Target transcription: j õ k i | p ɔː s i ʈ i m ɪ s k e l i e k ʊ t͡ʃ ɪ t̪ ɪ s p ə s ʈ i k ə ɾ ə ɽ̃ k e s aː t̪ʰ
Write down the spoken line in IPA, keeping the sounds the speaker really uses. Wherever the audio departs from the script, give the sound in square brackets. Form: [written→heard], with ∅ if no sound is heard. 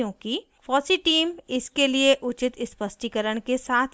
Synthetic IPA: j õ k i | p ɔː s i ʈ [i→iː] m ɪ s k e l i e [k→ʔ] ʊ t͡ʃ ɪ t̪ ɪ s p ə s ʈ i k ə ɾ ə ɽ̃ k e s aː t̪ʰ